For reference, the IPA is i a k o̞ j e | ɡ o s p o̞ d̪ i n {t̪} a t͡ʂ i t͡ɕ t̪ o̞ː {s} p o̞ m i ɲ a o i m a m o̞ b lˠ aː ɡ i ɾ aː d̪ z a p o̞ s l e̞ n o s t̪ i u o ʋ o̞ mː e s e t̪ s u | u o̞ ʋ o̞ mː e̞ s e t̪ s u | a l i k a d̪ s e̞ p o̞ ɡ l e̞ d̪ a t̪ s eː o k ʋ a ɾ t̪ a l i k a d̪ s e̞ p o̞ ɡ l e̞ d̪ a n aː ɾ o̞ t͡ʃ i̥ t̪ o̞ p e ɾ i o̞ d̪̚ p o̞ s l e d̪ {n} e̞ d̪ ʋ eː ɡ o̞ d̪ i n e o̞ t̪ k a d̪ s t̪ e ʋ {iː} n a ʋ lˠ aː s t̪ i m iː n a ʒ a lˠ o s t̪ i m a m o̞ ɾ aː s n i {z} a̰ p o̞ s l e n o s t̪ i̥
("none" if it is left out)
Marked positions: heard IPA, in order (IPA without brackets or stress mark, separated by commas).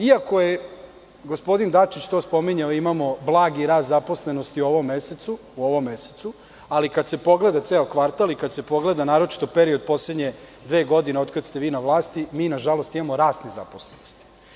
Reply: d̪, s, ɲ, iː, z